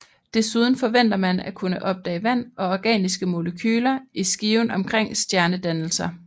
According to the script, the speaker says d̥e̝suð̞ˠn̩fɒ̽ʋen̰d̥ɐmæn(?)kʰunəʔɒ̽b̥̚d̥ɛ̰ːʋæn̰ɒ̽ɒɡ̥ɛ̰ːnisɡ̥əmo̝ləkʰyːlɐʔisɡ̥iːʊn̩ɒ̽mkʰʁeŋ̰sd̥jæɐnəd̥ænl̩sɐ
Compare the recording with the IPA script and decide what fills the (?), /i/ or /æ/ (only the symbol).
æ